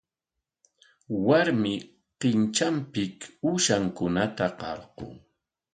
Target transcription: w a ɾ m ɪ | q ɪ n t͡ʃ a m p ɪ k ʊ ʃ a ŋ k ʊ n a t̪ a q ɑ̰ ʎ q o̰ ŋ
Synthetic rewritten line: w a ɾ m ɪ | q ɪ n t͡ʃ a m p ɪ k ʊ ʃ a ŋ k ʊ n a t̪ a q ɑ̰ ɾ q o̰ ŋ